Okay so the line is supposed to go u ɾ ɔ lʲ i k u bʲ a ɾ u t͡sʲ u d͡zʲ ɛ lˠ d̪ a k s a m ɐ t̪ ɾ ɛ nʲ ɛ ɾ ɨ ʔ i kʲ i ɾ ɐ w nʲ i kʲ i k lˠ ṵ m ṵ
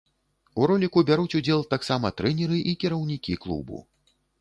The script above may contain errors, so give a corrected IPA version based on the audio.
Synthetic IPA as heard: u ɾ ɔ lʲ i k u bʲ a ɾ u t͡sʲ u d͡zʲ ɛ lˠ t̪ a k s a m ɐ t̪ ɾ ɛ nʲ ɛ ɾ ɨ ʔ i kʲ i ɾ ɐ w nʲ i kʲ i k lˠ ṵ b ṵ